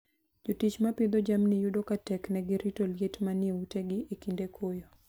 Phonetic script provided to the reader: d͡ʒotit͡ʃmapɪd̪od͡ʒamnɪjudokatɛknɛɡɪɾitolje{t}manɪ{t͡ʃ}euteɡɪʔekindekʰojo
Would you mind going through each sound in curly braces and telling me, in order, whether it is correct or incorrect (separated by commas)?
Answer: correct, incorrect